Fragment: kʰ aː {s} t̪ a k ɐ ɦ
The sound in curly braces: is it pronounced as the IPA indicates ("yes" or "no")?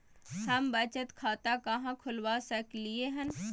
no